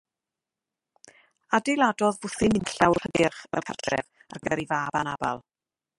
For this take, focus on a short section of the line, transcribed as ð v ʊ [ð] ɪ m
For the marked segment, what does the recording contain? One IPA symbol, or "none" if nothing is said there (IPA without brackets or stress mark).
θ